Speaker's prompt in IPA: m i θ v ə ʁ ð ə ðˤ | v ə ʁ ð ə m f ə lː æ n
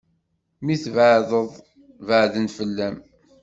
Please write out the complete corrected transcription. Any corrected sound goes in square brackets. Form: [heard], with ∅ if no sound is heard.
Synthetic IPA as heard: m i θ v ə [ʕ] ð ə ðˤ | v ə [ʕ] ð ə [n] f ə lː æ [m]